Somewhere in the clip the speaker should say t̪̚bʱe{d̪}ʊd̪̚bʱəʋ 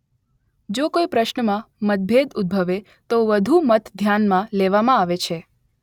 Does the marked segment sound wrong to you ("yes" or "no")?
no